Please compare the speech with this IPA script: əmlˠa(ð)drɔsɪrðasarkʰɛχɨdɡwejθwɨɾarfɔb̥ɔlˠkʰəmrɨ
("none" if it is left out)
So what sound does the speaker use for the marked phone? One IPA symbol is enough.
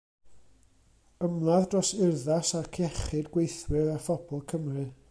ð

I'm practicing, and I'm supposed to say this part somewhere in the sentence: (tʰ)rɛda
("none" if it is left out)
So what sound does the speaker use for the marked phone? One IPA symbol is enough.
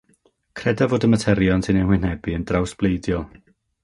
kʰ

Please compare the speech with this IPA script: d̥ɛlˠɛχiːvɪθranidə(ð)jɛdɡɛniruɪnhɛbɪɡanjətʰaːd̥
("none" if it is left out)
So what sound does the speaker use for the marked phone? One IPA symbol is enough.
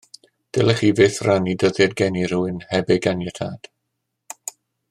ð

